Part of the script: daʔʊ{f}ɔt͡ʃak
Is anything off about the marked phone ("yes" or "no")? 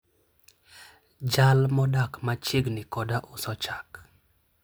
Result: yes